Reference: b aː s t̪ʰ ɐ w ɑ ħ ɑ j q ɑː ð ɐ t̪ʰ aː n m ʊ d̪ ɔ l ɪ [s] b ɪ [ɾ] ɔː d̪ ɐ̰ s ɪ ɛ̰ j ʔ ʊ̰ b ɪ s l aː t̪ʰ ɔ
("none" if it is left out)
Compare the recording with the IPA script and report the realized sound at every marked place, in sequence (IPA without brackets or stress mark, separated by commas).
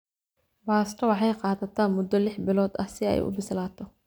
ħ, l